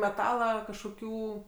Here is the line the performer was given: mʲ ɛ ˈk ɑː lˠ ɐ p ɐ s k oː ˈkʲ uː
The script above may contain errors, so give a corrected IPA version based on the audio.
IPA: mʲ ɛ ˈt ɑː lˠ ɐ k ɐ ʃ k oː ˈkʲ uː